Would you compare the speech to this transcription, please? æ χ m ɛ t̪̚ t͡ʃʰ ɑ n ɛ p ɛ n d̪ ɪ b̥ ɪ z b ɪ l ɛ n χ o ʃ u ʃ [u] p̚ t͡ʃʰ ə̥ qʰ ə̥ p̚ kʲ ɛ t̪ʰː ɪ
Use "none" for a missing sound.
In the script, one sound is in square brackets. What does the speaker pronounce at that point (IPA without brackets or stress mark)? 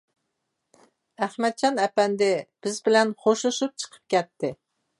u